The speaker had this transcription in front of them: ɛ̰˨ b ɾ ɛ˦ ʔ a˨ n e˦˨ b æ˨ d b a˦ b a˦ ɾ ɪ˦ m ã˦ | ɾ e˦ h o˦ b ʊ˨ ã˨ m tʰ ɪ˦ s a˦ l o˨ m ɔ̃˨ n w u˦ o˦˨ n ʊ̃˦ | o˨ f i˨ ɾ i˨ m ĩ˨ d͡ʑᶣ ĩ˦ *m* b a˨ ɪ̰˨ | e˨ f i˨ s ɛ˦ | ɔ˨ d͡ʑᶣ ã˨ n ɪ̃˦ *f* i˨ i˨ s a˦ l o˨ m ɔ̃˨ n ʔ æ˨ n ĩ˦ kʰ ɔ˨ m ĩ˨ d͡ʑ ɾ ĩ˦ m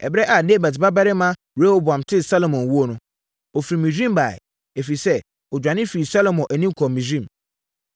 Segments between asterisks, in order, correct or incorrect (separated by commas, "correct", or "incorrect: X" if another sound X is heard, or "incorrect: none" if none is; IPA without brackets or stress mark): correct, correct